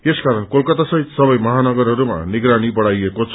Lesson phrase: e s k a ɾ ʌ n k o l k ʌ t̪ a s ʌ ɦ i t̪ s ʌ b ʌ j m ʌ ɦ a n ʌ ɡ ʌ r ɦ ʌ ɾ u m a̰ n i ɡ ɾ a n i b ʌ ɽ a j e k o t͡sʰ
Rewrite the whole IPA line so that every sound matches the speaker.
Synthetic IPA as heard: e s k a ɾ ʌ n k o l k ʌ t̪ a s ʌ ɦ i t̪ s ʌ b ʌ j m ʌ ɦ a n ʌ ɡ ʌ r ɦ ʌ ɾ u m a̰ n i ɡ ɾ a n i b ʌ ɽ a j e k o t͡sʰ